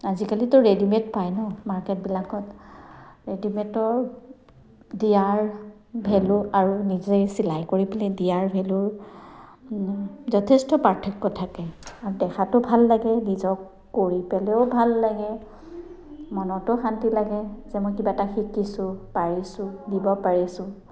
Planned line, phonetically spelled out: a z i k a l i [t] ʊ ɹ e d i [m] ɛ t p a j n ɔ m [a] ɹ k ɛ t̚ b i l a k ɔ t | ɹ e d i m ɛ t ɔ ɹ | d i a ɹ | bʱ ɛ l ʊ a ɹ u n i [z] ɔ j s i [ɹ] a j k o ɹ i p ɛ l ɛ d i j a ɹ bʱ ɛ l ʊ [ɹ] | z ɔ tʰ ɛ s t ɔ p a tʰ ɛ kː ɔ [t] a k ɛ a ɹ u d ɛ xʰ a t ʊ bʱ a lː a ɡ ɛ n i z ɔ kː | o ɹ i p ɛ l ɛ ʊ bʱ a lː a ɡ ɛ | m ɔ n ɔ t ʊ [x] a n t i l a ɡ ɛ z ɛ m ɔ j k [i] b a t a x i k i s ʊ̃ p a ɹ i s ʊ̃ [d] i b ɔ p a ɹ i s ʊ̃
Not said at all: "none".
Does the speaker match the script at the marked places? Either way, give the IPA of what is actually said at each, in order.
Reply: t, m, a, z, l, ɹ, tʰ, x, i, d

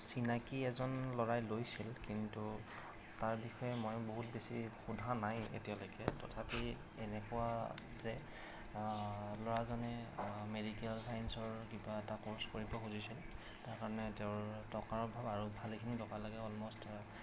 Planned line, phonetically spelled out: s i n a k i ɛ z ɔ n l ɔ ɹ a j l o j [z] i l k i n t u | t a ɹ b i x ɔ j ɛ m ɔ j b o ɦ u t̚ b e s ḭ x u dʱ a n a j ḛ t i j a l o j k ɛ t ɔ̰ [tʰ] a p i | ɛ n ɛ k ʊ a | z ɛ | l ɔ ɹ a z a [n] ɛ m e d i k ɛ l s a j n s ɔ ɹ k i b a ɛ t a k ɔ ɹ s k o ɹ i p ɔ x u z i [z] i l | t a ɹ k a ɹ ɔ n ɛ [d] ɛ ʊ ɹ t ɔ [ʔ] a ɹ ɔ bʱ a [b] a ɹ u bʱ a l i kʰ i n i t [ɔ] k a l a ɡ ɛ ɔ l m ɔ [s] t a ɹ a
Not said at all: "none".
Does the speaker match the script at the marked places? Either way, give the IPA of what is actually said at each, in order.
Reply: s, tʰ, n, s, t, k, b, ɔ, s

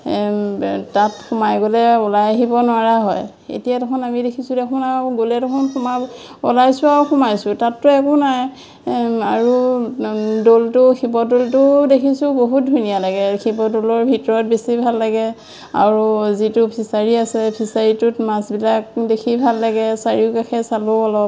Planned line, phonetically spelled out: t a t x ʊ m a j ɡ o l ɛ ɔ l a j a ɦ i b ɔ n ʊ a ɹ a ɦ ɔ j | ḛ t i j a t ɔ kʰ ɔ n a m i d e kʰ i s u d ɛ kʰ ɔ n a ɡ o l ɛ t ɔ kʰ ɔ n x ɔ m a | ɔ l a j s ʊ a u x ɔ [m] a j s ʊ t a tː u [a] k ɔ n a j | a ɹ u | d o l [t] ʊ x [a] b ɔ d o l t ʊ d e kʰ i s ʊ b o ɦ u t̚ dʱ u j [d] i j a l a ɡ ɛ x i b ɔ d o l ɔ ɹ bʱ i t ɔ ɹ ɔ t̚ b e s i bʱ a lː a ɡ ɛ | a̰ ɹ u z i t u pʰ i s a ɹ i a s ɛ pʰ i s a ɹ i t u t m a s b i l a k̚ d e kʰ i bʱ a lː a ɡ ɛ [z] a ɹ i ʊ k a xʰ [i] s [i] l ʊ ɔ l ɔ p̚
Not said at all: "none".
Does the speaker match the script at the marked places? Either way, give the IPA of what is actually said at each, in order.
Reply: m, ɛ, t, i, n, s, ɛ, a

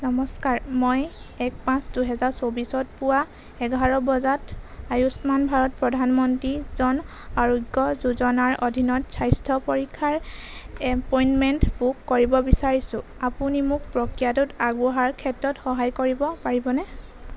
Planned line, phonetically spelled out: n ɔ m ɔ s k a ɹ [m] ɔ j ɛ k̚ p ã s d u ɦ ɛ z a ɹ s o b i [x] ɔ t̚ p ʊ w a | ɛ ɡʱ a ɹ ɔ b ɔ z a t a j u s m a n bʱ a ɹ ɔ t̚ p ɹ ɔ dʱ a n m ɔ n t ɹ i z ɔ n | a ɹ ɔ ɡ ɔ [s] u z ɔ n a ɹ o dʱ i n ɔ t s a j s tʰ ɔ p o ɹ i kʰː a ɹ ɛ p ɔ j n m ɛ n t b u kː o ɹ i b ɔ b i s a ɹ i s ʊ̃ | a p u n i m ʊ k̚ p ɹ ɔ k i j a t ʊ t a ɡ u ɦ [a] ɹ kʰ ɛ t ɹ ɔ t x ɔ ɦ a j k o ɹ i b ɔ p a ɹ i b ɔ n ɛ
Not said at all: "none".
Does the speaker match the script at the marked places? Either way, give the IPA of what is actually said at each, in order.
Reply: m, s, z, a

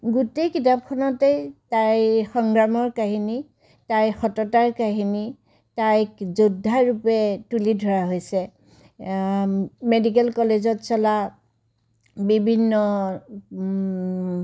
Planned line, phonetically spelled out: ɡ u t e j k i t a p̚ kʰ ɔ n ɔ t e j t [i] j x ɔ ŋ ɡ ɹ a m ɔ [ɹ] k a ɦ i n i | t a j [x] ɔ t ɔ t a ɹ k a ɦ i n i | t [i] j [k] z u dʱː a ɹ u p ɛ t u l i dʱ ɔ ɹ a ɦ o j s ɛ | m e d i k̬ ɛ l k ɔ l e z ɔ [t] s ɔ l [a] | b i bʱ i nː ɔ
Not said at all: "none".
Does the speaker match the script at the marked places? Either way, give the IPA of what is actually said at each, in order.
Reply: a, ɹ, x, a, k, t, a

